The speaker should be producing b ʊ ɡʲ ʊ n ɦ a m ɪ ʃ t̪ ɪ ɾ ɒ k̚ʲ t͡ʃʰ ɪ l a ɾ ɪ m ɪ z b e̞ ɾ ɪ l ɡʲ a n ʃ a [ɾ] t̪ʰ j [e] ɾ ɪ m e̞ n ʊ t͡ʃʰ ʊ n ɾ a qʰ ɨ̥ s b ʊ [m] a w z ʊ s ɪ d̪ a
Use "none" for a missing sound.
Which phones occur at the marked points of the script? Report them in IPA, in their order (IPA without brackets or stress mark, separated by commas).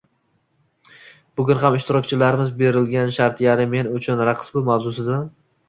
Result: ɾ, a, m